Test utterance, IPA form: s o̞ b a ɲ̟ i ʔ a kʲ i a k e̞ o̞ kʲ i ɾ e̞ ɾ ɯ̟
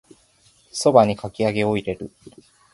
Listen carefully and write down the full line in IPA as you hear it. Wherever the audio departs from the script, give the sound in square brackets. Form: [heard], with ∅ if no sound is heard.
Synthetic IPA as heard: s o̞ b a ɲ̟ i [k] a kʲ i a [ɡ] e̞ o̞ [∅] i ɾ e̞ ɾ ɯ̟